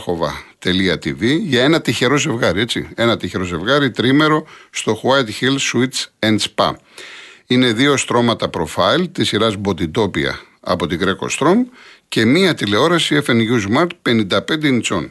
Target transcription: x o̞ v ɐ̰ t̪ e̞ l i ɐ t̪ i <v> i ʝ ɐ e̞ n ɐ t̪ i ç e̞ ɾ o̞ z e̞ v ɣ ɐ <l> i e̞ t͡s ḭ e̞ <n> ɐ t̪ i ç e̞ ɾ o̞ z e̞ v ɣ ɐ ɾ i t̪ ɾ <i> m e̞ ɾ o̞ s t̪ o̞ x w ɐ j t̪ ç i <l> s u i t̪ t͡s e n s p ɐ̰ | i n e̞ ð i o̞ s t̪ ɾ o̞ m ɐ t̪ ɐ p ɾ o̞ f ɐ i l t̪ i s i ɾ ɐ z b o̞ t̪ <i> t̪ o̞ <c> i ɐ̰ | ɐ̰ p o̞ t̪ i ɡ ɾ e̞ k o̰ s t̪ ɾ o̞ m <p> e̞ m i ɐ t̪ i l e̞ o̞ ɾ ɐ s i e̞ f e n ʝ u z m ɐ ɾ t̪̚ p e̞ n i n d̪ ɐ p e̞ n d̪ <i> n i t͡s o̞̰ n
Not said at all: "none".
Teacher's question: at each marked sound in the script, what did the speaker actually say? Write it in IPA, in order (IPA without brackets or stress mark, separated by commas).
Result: v, ɾ, n, i, l, i, p, c, e